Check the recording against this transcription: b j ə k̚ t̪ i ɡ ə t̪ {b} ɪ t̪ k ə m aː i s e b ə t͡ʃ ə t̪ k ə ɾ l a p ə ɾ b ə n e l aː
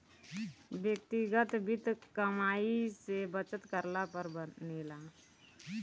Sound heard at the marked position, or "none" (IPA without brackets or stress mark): b